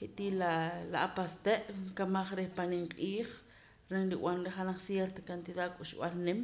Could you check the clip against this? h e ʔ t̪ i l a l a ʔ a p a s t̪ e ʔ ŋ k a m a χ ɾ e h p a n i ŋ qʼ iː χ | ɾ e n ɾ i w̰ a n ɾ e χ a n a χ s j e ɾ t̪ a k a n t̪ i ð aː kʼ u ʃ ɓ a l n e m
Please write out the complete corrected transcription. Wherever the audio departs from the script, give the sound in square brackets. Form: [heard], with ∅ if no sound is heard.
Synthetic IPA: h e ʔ t̪ i l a l a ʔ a p a s t̪ e ʔ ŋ k a m a χ ɾ e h p a n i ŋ qʼ iː χ | ɾ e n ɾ i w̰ a n ɾ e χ a n a χ s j e ɾ t̪ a k a n t̪ i ð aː kʼ u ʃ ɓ a l n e m